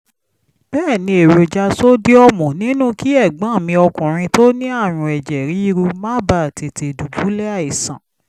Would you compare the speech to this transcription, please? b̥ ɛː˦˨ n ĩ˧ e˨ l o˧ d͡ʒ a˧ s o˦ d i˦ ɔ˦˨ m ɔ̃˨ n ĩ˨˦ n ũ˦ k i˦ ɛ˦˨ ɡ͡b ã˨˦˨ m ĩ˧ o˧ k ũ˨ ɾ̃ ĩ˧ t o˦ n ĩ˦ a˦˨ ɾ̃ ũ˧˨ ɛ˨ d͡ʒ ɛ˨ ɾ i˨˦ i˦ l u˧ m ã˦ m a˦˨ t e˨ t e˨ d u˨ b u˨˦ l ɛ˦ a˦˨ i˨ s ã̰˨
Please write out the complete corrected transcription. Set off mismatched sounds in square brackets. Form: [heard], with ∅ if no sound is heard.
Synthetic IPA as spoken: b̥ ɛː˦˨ n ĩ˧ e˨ [ɾ] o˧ d͡ʒ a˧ s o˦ d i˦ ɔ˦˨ m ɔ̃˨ n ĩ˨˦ n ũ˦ k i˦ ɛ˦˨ ɡ͡b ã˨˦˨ m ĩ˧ [ɔ˧] k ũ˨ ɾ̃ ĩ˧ t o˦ n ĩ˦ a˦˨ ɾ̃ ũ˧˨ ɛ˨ d͡ʒ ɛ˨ ɾ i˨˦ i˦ [ɾ] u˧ m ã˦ [b] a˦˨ t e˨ t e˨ d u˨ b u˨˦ l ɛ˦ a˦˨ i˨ s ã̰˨